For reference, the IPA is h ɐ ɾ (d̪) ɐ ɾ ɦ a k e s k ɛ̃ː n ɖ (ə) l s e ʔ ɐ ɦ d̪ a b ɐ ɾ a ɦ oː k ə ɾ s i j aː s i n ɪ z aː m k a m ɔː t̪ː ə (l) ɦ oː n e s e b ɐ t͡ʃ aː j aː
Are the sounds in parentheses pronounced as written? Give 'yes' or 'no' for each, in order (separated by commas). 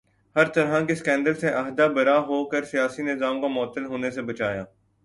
no, yes, yes